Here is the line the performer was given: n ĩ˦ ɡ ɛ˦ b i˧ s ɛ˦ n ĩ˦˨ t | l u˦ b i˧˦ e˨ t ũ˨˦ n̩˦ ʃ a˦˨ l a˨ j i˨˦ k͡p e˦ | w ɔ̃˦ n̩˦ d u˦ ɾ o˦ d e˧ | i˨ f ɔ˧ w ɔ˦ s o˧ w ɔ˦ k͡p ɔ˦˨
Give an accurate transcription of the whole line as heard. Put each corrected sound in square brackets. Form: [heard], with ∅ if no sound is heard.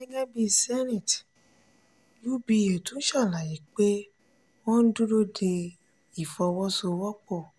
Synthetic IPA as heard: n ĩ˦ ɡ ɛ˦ b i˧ s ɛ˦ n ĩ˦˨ t | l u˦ b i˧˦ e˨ t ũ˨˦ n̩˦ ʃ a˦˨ l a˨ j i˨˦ k͡p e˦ | w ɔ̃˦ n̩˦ d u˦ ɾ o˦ d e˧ | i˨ f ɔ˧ w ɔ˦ s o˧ w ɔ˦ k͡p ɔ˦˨